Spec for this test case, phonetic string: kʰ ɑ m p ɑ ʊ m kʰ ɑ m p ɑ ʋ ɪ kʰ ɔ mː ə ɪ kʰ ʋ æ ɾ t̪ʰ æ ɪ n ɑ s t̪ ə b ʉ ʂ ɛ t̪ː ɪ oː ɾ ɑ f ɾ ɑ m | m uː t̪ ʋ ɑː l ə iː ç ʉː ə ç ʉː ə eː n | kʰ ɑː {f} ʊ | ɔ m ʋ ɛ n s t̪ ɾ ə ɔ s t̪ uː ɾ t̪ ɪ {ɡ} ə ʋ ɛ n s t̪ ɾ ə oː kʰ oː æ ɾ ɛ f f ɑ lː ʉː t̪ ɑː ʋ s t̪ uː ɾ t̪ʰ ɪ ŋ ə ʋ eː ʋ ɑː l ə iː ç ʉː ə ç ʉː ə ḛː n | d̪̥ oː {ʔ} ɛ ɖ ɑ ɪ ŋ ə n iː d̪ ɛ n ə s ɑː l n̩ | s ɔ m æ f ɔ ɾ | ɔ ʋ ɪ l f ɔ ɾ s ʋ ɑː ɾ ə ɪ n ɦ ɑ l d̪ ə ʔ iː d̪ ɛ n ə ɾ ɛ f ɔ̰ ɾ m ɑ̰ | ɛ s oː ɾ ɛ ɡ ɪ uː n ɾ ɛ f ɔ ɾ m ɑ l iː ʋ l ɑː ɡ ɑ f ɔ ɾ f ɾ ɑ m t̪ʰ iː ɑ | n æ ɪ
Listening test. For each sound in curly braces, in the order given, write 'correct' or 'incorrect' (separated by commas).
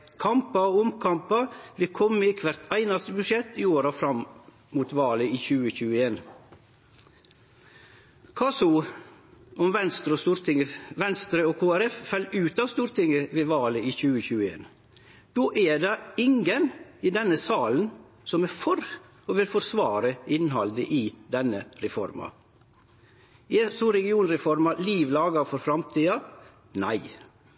incorrect, incorrect, correct